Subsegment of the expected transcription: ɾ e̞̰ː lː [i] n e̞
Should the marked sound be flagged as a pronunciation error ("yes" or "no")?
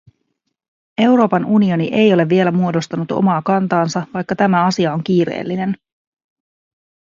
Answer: no